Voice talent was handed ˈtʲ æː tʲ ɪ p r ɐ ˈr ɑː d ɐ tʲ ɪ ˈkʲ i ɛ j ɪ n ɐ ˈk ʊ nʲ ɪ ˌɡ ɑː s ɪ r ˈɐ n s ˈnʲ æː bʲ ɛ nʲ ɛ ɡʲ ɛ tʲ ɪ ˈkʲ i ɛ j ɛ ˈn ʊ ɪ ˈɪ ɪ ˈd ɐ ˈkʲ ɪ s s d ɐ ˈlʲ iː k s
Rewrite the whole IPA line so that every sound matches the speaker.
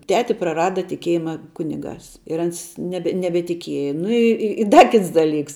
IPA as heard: ˈtʲ æː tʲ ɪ p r ɐ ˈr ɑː d ɐ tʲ ɪ ˈkʲ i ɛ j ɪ m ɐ ˈk ʊ nʲ ɪ ˌɡ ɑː s ɪ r ˈɐ n s ˈnʲ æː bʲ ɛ nʲ ɛ bʲ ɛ tʲ ɪ ˈkʲ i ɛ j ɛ ˈn ʊ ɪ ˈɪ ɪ ˈd ɐ ˈkʲ ɪ t s d ɐ ˈlʲ iː k s